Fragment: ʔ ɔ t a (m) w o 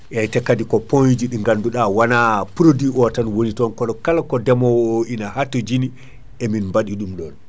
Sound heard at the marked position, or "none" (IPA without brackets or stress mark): n